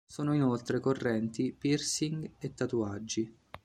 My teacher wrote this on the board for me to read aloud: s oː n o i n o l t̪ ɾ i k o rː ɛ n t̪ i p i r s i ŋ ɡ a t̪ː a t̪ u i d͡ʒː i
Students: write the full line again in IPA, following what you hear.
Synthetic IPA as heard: s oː n o i n o l t̪ ɾ e k o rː ɛ n t̪ i p i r s i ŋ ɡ e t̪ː a t̪ u a d͡ʒː i